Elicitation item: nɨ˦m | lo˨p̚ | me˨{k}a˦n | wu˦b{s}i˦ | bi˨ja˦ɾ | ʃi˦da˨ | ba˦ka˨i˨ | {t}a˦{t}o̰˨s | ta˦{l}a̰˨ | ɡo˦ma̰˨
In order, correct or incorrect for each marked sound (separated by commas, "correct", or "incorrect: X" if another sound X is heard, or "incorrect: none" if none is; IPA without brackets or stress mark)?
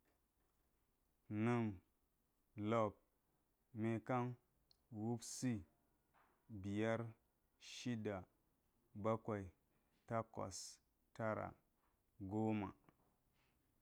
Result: correct, correct, correct, incorrect: k, incorrect: ɾ